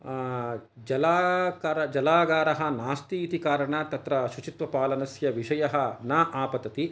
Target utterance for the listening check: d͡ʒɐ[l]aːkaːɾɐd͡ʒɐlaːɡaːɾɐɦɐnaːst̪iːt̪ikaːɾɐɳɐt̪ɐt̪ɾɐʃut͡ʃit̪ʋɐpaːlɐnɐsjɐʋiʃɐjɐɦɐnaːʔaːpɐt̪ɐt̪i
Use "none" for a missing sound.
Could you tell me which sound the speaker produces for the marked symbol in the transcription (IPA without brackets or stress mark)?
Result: l